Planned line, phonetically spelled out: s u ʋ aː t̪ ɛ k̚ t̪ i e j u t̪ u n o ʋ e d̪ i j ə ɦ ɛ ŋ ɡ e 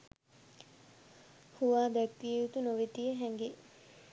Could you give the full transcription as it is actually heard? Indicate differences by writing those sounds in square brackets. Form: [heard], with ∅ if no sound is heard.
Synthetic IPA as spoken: [h] u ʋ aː [d̪] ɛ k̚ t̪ i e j u t̪ u n o ʋ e [t̪] i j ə ɦ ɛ ŋ ɡ e